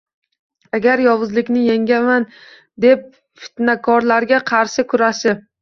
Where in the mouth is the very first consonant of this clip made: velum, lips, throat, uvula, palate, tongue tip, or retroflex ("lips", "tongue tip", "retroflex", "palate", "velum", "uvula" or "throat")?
velum